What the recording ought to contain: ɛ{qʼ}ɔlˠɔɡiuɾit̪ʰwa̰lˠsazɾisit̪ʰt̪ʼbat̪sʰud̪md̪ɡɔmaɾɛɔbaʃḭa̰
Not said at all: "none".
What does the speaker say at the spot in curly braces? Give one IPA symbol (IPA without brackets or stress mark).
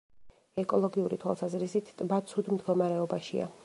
kʼ